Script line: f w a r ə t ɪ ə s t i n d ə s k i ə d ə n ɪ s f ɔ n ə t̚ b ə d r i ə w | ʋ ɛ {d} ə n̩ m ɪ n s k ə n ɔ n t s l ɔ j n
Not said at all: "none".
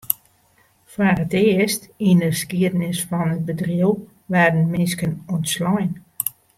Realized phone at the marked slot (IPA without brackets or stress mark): d